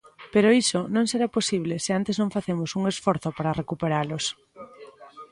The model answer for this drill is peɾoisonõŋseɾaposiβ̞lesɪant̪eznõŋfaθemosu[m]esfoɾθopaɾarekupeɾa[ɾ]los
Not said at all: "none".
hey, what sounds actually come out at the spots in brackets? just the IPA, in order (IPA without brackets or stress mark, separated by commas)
ŋ, none